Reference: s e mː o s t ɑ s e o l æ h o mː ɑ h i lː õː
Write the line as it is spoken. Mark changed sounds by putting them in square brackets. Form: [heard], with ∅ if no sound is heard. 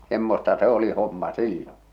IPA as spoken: s e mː o s t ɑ s e o l [i] h o mː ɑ [s] i lː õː

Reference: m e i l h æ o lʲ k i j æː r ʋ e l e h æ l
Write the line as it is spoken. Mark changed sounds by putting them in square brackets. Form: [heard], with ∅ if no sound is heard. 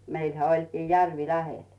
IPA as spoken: m e i l h æ o lʲ k [iː] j [æ] r ʋ [i] l [æ] h [e] l

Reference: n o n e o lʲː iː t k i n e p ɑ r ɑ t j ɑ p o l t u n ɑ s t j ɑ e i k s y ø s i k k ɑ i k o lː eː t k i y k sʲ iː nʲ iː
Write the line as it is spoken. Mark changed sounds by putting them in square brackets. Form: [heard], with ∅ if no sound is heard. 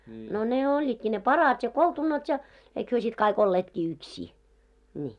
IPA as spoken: n o n e o lʲː iː t k i n e p ɑ r ɑ t j ɑ [k] o l t u n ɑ [∅] t j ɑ e i k [h] y ø s i [t] k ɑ i k o lː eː t k i y k sʲ iː nʲ iː

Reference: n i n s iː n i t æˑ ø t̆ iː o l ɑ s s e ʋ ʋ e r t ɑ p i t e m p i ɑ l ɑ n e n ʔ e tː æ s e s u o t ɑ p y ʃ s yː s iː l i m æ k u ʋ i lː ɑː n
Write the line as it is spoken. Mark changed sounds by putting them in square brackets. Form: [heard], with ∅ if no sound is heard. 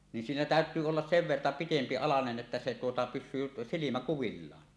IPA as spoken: n i n s iː n [æ] t æˑ ø t̆ [yː] o [lː] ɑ s s e ʋ ʋ e r t ɑ p i t e m p i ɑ l ɑ n e n ʔ e tː æ s e [t] u o t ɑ p y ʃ s yː s [i] l i m æ k u ʋ i lː ɑː n

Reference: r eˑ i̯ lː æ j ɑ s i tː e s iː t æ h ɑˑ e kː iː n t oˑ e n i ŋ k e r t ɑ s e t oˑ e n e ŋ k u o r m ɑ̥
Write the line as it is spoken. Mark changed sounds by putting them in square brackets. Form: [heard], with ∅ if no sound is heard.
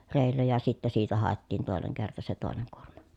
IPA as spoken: r eˑ i̯ lː æ j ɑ s i tː [æ] s iː t æ h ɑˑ e [tː] iː n t oˑ e n [e] ŋ k e r t ɑ s e t oˑ e n e ŋ k u o r m ɑ̥

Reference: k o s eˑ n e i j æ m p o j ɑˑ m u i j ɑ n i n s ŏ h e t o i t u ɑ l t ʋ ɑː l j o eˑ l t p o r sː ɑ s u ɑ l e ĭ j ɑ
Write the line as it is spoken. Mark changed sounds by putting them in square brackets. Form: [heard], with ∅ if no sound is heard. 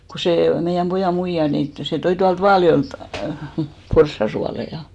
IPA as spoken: k o s eˑ [m] e i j æ m p o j ɑˑ m u i j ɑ n i n [t] ŏ [s] e t o i t u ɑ l t ʋ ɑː l j o eˑ l t p o r sː ɑ s u ɑ l e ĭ j ɑ

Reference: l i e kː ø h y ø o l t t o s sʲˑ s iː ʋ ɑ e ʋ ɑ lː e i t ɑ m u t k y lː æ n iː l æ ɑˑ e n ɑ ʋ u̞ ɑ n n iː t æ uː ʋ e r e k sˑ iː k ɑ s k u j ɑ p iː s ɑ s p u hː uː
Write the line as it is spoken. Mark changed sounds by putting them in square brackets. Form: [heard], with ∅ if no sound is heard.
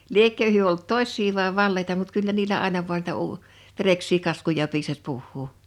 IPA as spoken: l i e kː ø h y ø o l t t o s sʲˑ s iː ʋ ɑ e ʋ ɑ lː e i t ɑ m u t k y lː æ n iː l æ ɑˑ e n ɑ ʋ u̞ ɑ n n iː t æ uː ʋ e r e k sˑ iː k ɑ s k u j ɑ p iː s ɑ s p u hː uː

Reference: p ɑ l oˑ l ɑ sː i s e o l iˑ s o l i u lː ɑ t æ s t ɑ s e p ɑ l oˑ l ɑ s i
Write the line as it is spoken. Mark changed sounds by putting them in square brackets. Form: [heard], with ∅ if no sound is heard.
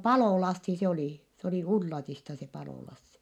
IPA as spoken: p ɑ l oˑ l ɑ sː i s e o l iˑ s o l i u lː ɑ t [i] s t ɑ s e p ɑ l oˑ l ɑ [sː] i

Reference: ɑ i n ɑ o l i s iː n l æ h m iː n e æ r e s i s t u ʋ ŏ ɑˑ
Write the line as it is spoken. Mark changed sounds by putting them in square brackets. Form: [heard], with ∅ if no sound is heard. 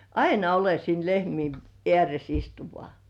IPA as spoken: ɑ i n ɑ o l [e] s iː n l [e] h m iː n e æ r e s i s t u ʋ ŏ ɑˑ

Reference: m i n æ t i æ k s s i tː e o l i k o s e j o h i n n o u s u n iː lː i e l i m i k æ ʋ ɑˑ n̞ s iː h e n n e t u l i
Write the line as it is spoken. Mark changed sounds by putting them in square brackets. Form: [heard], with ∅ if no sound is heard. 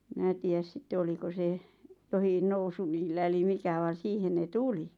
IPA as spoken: m i n æ t [iː] æ [∅] s s i tː e o l i k o s e j o h i n n o u s u n iː lː [æ] e l i m i k æ ʋ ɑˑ n̞ s iː h e n n e t u l i

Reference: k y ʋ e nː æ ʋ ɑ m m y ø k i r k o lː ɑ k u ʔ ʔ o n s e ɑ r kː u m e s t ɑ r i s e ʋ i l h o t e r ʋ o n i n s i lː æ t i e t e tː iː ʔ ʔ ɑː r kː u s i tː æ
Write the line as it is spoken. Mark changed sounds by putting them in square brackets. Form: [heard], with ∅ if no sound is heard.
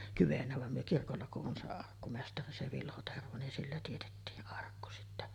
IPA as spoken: k y ʋ e nː æ ʋ ɑ m m y ø k i r k o lː ɑ k u ʔ ʔ o n s e ɑ r kː u m e s t ɑ r i s e ʋ i l h o t e r ʋ o n i n s i lː æ t i e t e tː iː ʔ ʔ [ɑ] r kː u s i tː æ

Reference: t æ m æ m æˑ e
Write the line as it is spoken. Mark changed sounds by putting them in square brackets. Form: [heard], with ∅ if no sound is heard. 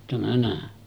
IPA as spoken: t æ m æ [n] æˑ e

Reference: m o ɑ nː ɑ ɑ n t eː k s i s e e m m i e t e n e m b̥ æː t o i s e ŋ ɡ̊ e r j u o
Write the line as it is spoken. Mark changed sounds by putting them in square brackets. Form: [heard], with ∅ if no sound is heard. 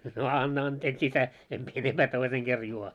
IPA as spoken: [n] o ɑ nː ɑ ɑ n t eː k s i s [æ] e m m i e [∅] e n e m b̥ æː t o i s e ŋ ɡ̊ e r j u o

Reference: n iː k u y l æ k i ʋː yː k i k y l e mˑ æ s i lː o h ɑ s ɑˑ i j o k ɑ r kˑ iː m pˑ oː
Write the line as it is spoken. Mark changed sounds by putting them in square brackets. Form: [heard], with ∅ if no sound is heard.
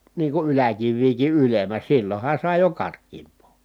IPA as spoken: n iː k u y l æ k i ʋː [iː] k i [ʔ] y l e mˑ æ s i lː o h ɑ s ɑˑ i j o k ɑ r kˑ iː m pˑ oː

